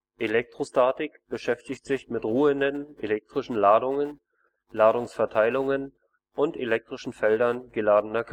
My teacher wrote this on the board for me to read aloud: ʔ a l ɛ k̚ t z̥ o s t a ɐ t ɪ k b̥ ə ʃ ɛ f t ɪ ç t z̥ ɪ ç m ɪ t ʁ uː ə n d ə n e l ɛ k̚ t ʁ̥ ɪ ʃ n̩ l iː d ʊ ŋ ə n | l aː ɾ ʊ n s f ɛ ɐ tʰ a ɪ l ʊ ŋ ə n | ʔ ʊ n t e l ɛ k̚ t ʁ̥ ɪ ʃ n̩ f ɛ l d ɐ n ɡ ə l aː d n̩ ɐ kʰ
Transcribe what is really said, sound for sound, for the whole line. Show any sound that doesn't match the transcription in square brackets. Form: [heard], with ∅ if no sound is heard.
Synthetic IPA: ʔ [e] l ɛ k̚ t [ʁ̥] o s t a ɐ t ɪ k b̥ ə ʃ ɛ f t ɪ ç t z̥ ɪ ç m ɪ t ʁ uː ə n d ə n e l ɛ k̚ t ʁ̥ ɪ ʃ n̩ l [aː] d ʊ ŋ ə n | l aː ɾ ʊ [ŋ] s f ɛ ɐ tʰ a ɪ l ʊ ŋ ə n | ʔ ʊ n t e l ɛ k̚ t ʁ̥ ɪ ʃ n̩ f ɛ l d ɐ n ɡ ə l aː d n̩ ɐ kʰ

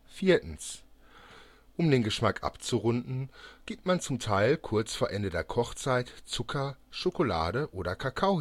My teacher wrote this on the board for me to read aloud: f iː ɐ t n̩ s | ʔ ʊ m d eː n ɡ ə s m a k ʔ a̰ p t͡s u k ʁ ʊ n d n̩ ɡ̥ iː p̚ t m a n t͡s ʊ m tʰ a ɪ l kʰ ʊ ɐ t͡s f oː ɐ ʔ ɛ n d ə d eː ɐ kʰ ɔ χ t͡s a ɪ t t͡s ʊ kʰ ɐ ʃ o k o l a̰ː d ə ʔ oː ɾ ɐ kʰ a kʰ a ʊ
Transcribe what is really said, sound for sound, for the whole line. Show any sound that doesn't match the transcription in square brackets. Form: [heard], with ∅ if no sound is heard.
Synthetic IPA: f iː ɐ t n̩ s | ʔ ʊ m d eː n ɡ ə [ʃ] m a k ʔ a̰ p t͡s u [∅] ʁ ʊ n d n̩ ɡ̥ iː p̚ t m a n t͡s ʊ m tʰ a ɪ l kʰ ʊ ɐ t͡s f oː ɐ ʔ ɛ n d ə d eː ɐ kʰ ɔ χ t͡s a ɪ t t͡s ʊ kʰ ɐ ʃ o k o l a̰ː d ə ʔ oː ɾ ɐ kʰ a kʰ a ʊ

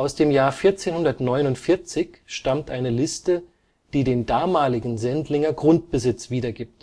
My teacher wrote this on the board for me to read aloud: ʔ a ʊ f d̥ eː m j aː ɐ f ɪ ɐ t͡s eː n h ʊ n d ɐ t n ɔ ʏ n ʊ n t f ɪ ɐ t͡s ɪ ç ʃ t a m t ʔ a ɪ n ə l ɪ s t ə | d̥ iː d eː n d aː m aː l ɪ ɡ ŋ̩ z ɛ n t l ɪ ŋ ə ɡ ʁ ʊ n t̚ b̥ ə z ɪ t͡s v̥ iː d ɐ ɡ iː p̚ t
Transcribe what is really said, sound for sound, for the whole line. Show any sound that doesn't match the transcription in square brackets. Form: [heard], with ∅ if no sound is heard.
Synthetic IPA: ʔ a ʊ [s] d̥ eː m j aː ɐ f ɪ ɐ t͡s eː n h ʊ n d ɐ t n ɔ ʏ n ʊ n t f ɪ ɐ t͡s ɪ ç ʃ t a m t ʔ a ɪ n ə l ɪ s t ə | d̥ iː d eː n d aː m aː l ɪ ɡ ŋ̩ z ɛ n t l ɪ ŋ [ɐ] ɡ ʁ ʊ n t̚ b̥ ə z ɪ t͡s v̥ iː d ɐ ɡ iː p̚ t

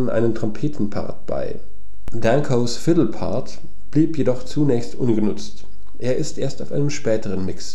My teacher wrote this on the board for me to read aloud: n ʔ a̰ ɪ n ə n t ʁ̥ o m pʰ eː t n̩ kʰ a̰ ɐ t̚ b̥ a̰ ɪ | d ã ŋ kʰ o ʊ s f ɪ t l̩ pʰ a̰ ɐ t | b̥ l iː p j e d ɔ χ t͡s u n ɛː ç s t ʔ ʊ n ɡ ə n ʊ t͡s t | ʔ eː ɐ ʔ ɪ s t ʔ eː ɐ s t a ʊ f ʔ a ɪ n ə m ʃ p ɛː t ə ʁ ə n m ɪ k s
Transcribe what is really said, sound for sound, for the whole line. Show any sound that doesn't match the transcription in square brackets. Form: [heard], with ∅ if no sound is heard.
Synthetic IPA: n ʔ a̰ ɪ n ə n t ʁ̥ [ɔ] m pʰ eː t n̩ [pʰ] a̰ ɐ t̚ b̥ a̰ ɪ | d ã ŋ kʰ o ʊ s f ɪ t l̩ pʰ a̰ ɐ t | b̥ l iː p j e d ɔ χ t͡s u n ɛː ç s t ʔ ʊ n ɡ ə n ʊ t͡s t | ʔ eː ɐ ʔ ɪ s t ʔ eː ɐ s t a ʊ f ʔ a ɪ n ə m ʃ p ɛː t ə ʁ ə n m ɪ k s

